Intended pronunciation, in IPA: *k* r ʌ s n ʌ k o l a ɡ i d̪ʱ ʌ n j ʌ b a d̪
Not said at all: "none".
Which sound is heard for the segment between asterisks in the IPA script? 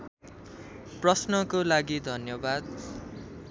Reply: p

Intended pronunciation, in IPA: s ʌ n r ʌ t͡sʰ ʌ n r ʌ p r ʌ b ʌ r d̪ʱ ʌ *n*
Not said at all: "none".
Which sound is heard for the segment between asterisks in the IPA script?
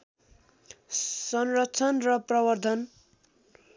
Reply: n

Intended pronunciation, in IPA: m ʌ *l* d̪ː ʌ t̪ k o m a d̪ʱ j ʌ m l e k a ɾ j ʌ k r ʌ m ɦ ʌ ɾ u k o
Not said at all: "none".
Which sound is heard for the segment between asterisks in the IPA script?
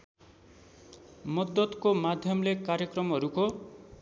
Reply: none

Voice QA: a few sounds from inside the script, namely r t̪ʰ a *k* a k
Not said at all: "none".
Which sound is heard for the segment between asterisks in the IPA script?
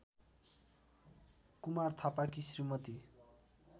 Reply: p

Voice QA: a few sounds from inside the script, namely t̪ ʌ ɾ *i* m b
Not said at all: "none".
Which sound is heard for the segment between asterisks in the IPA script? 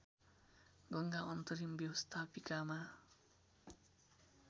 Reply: i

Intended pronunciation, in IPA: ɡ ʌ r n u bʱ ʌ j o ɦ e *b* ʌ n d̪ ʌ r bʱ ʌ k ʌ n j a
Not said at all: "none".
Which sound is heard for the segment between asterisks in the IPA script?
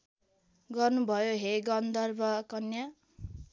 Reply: ɡ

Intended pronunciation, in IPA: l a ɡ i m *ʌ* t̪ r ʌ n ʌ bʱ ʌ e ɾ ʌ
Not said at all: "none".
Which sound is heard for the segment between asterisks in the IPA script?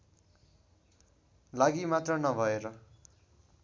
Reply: a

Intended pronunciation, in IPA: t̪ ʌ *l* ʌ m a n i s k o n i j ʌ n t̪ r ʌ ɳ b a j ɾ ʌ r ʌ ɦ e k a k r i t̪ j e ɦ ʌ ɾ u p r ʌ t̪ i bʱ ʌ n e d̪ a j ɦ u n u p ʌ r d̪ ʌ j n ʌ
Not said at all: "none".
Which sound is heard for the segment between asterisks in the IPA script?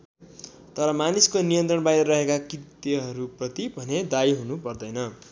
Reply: ɾ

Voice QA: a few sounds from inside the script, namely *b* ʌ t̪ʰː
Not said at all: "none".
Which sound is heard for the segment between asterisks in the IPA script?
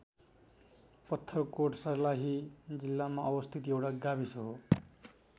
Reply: p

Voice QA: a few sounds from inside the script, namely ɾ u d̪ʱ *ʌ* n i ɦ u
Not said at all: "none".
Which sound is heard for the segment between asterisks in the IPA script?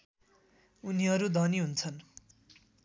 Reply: ʌ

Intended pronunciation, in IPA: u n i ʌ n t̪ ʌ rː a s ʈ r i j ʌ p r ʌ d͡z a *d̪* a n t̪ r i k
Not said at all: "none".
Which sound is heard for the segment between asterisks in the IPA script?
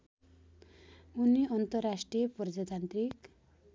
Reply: t̪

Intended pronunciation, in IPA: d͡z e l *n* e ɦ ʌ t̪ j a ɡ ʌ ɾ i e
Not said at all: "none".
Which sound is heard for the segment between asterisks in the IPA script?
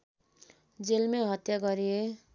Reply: m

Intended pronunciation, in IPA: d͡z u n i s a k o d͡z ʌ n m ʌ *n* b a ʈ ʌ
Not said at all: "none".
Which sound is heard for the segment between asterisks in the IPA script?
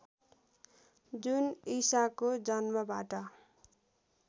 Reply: none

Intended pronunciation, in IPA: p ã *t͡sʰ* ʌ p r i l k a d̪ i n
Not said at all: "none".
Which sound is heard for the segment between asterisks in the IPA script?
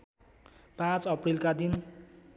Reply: t͡s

